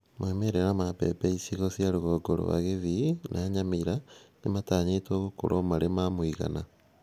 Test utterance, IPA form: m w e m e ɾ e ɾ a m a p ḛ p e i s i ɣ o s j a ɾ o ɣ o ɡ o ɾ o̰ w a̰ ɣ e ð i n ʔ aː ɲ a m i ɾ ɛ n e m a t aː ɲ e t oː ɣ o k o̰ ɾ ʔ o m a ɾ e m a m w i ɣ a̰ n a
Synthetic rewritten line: m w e m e ɾ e ɾ a m a p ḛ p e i s i ɣ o s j a ɾ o ɣ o ɡ o ɾ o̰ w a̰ ɣ e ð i n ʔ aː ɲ a m i ɾ a n e m a t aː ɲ e t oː ɣ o k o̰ ɾ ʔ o m a ɾ e m a m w i ɣ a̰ n a

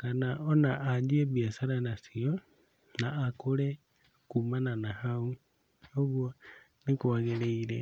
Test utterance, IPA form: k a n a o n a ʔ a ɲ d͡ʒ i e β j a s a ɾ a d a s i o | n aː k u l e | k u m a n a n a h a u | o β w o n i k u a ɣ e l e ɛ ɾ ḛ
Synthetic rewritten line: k a n a o n a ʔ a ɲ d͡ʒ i e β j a s a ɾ a n a s i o | n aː k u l e | k u m a n a n a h a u | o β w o n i k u a ɣ e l e i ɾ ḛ

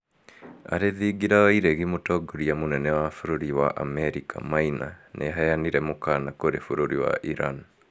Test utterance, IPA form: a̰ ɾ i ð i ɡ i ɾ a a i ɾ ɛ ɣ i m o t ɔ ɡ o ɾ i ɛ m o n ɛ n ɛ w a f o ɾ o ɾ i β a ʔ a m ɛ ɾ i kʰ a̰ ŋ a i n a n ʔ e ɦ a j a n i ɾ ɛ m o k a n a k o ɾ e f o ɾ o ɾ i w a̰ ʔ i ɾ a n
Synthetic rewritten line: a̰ ɾ e ð i ɡ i ɾ a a i ɾ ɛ ɣ i m o t ɔ ɡ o ɾ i a m o n ɛ n ɛ w a f o ɾ o ɾ i w a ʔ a m ɛ ɾ i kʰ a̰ m a i n a n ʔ e ɦ a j a n i ɾ ɛ m o k a n a k o ɾ e f o ɾ o ɾ i w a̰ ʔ i ɾ a n

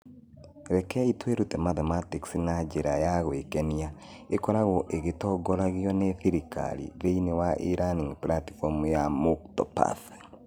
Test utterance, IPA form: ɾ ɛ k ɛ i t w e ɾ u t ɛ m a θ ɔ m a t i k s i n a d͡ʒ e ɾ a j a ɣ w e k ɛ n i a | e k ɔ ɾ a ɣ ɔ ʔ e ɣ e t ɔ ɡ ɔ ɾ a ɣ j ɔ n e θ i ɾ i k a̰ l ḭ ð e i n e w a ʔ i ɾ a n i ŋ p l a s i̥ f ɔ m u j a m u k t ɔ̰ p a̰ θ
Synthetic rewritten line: ɾ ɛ k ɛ i t w e ɾ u t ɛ m a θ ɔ m a t i k s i n a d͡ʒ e ɾ a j a ɣ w e k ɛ n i a | e k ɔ ɾ a ɣ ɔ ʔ e ɣ e t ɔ ɡ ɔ ɾ a ɣ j ɔ n e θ i ɾ i k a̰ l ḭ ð e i n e w a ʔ i ɾ a n i ŋ p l a t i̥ f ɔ m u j a m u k t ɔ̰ p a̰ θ

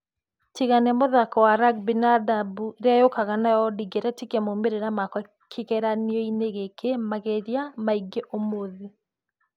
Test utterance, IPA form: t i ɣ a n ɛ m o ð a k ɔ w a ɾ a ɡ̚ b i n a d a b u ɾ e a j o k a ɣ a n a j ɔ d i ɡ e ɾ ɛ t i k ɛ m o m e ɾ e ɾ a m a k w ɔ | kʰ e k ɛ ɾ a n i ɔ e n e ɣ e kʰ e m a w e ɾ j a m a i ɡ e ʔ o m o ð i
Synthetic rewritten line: t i ɣ a n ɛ m o ð a k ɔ w a ɾ a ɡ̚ b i n a d a b u ɾ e a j o k a ɣ a n a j ɔ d i ɡ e ɾ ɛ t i k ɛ m o m e ɾ e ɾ a m a k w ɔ | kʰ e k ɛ ɾ a n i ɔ i n e ɣ e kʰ e m a ɣ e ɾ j a m a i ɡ e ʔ o m o ð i

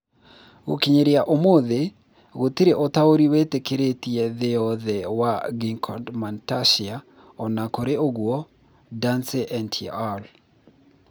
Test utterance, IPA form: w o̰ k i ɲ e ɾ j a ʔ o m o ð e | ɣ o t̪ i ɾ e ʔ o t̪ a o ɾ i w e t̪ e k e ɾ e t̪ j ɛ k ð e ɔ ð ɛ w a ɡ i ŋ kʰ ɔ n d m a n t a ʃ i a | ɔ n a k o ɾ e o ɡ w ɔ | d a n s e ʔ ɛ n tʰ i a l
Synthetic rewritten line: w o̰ k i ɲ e ɾ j a ʔ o m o ð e | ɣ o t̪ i ɾ e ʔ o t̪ a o ɾ i w e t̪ e k e ɾ e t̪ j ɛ ð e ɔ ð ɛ w a ɡ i ŋ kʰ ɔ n d m a n t a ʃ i a | ɔ n a k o ɾ e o ɡ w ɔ | d a n s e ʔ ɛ n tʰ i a l

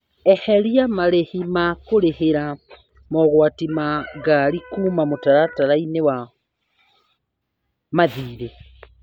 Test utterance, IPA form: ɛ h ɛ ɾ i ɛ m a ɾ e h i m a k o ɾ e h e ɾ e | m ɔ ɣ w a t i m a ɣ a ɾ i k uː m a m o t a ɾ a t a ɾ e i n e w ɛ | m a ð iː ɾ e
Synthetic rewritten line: ɛ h ɛ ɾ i a m a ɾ e h i m a k o ɾ e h e ɾ a | m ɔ ɣ w a t i m a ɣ a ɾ i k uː m a m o t a ɾ a t a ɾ a i n e w a | m a ð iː ɾ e

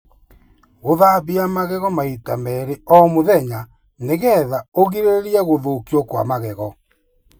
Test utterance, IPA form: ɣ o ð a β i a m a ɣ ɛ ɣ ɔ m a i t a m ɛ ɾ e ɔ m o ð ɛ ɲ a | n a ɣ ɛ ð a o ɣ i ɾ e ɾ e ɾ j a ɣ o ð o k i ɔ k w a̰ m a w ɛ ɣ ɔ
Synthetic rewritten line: ɣ o ð a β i a m a ɣ ɛ ɣ ɔ m a i t a m ɛ ɾ e ɔ m o ð ɛ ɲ a | n e ɣ ɛ ð a o ɣ i ɾ e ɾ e ɾ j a ɣ o ð o k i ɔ k w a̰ m a ɣ ɛ ɣ ɔ

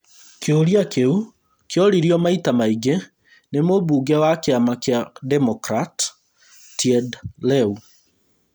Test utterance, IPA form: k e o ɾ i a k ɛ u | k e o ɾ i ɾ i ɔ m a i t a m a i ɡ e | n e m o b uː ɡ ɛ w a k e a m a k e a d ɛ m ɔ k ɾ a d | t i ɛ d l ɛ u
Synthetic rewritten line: k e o ɾ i a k e u | k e ɔ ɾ i ɾ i ɔ m a i t a m a i ɡ e | n e m o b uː ɡ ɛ w a k e a m a k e a d ɛ m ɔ k ɾ a t | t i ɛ d l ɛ u

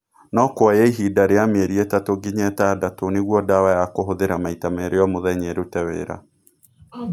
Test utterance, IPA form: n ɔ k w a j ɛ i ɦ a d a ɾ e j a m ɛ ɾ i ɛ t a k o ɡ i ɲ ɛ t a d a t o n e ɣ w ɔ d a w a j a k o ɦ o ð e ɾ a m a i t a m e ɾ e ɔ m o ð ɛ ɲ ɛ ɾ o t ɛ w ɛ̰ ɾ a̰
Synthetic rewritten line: n ɔ k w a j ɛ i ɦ i d a ɾ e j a m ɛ ɾ i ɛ t a t o ɡ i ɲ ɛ t a d a t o n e ɣ w ɔ d a w a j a k o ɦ o ð e ɾ a m a i t a m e ɾ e ɔ m o ð ɛ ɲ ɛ ɾ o t ɛ w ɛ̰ ɾ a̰

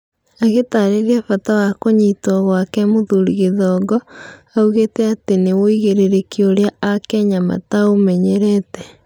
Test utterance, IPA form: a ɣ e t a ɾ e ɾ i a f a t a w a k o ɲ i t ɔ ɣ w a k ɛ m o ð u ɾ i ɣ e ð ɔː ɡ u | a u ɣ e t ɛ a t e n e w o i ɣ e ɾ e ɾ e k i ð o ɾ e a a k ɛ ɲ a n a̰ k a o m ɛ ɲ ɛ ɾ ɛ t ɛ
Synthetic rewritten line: a ɣ e t a ɾ e ɾ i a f a t a w a k o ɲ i t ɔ ɣ w a k ɛ m o ð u ɾ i ɣ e ð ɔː ɡ ɔ | a u ɣ e t ɛ a t e n e w o i ɣ e ɾ e ɾ e k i o ɾ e a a k ɛ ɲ a m a̰ t a o m ɛ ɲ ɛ ɾ ɛ t ɛ

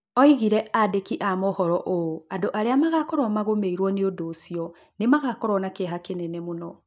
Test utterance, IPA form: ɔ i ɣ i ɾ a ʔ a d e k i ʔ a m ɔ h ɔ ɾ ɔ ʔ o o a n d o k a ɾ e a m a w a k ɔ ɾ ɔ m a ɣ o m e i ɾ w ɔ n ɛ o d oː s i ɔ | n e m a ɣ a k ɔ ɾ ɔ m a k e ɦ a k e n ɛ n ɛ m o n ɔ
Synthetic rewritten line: ɔ i ɣ i ɾ ɛ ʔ a d e k i ʔ a m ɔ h ɔ ɾ ɔ ʔ o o a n d o ʔ a ɾ e a m a ɣ a k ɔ ɾ ɔ m a ɣ o m e i ɾ w ɔ n e o d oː s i ɔ | n e m a ɣ a k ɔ ɾ ɔ n a k e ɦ a k e n ɛ n ɛ m o n ɔ

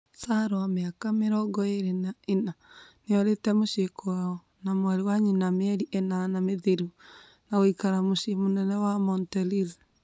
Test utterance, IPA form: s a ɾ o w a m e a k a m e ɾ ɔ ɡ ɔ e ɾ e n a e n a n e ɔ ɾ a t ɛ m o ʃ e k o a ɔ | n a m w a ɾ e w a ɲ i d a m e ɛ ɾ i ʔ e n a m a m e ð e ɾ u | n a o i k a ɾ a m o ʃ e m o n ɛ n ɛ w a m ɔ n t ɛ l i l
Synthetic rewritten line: s a ɾ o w a m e a k a m e ɾ ɔ ɡ ɔ e ɾ e n a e n a n e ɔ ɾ e t ɛ m o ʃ e k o a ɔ | n a m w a ɾ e w a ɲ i n a m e ɛ ɾ i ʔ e n a n a m e ð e ɾ u | n a o i k a ɾ a m o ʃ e m o n ɛ n ɛ w a m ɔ n t ɛ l i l

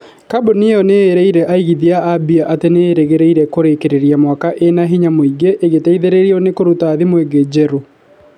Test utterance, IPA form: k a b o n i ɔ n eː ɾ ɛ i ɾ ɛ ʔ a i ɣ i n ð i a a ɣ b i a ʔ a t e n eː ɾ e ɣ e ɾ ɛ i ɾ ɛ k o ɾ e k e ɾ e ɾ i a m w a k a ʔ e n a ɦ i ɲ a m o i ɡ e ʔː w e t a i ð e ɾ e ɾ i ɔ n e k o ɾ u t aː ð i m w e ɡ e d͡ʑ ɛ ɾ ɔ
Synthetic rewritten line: k a b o n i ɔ n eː ɾ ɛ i ɾ ɛ ʔ a i ɣ i ð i a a b i a ʔ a t e n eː ɾ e ɣ e ɾ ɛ i ɾ ɛ k o ɾ e k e ɾ e ɾ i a m w a k a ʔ e n a ɦ i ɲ a m o i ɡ e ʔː ɣ e t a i ð e ɾ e ɾ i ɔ n e k o ɾ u t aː ð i m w e ɡ e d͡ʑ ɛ ɾ o

